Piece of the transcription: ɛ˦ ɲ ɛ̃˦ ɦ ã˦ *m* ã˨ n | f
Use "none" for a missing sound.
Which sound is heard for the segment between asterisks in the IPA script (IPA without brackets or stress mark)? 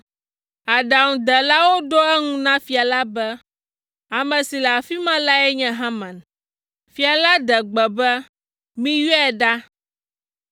m